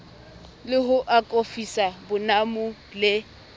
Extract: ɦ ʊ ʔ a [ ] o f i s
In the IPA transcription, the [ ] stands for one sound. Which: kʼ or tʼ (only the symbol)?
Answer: kʼ